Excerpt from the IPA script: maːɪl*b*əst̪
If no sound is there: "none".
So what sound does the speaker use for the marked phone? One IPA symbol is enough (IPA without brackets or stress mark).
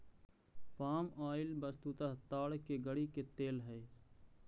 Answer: b